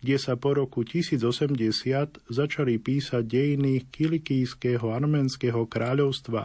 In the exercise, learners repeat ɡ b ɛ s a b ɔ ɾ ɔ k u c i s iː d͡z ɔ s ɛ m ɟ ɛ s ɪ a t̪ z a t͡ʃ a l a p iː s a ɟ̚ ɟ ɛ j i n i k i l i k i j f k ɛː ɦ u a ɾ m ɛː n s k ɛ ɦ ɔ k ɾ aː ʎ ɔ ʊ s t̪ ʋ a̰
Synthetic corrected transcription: ɡ ɟ ɛ s a p ɔ ɾ ɔ k u c i s iː d͡z ɔ s ɛ m ɟ ɛ s ɪ a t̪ z a t͡ʃ a l i p iː s a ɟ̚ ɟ ɛ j i n i k i l i k i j s k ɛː ɦ ɔ a ɾ m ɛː n s k ɛ ɦ ɔ k ɾ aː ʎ ɔ ʊ s t̪ ʋ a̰